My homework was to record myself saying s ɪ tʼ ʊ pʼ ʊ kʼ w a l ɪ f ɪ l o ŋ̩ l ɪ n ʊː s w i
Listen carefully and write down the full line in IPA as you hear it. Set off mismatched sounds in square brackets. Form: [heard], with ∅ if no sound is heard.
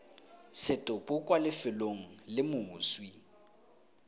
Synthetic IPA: s ɪ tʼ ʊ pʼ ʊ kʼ w a l ɪ f ɪ l o ŋ̩ l ɪ [m] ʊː s w i

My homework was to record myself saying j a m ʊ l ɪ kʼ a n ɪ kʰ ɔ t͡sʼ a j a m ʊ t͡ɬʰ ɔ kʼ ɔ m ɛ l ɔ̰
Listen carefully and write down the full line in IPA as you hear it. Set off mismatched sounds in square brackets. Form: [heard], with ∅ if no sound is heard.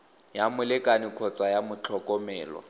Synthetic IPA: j a m ʊ l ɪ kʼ a n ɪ kʰ ɔ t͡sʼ a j a m ʊ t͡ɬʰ ɔ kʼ ɔ m [ɛː] l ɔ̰

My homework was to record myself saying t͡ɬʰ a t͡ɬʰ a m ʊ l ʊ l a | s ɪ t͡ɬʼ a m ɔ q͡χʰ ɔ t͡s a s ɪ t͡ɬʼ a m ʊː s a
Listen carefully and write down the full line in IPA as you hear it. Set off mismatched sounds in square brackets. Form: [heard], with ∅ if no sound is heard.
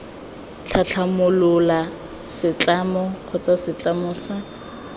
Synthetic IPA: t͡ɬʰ a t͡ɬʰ a m ʊ l ʊ l a | s ɪ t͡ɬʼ a m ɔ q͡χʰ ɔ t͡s a s ɪ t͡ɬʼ a m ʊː s a

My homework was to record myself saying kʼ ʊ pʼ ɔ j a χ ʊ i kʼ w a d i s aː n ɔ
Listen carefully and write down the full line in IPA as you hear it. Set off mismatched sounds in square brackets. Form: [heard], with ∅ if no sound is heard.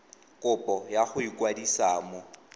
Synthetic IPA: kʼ ʊ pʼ ɔ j a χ ʊ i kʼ w a d i s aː [m] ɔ

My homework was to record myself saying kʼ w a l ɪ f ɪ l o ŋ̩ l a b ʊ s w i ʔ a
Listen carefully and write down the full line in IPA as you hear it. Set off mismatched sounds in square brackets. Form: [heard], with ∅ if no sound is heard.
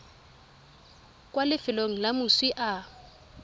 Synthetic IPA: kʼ w a l ɪ f ɪ l o ŋ̩ l a [m] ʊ s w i ʔ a

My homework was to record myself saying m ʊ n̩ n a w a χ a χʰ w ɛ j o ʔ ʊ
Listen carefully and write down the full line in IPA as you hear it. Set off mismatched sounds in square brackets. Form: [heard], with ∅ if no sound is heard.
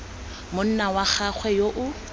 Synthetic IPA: m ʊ n̩ n a w a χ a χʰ w ɛ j o ʔ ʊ

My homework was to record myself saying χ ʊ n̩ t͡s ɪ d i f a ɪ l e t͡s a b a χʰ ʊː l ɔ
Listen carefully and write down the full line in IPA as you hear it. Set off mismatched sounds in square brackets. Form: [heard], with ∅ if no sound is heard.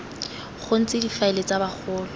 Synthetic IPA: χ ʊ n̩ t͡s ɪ d i f a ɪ l e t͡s a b a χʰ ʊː l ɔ

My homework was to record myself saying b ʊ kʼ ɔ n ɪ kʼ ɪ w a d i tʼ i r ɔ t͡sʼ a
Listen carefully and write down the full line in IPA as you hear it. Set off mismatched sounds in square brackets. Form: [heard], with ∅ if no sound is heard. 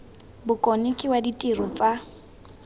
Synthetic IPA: b ʊ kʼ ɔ n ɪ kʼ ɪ w a d i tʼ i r ɔ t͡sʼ a

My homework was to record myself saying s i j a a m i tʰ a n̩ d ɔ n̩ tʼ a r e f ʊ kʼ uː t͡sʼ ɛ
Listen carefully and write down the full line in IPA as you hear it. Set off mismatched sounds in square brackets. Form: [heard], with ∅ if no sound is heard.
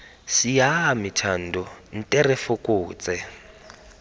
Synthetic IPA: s i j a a m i tʰ a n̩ d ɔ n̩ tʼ [ɛ] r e f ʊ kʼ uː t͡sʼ ɛ

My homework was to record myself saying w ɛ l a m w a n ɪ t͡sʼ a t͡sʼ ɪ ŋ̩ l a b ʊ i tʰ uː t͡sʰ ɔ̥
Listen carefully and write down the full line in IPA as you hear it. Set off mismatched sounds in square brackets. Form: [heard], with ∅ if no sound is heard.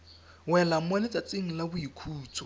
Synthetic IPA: w ɛ l a m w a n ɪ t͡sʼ a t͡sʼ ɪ ŋ̩ l a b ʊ i [kʰ] uː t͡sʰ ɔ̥

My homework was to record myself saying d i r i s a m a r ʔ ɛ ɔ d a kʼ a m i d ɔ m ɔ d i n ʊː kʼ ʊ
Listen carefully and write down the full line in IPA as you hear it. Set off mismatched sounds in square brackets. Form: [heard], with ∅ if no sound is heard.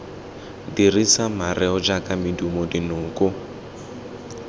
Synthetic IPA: d i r i s a m a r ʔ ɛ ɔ [d͡ʒ] a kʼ a m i d [u] m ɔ d i n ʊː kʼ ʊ

